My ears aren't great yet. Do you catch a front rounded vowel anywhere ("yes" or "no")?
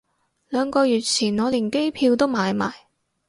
yes